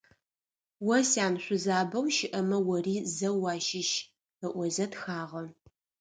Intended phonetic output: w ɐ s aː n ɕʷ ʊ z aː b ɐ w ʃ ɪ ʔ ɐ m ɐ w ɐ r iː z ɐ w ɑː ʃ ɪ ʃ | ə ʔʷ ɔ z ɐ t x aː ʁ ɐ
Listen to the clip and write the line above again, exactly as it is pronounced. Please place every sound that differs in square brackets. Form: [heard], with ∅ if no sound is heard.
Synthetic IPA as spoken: w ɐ s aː n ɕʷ ʊ z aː b ɐ w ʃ ɪ ʔ ɐ m ɐ w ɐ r iː z ɐ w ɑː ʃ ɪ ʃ | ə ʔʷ ɔ z ɐ t x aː ʁ ɐ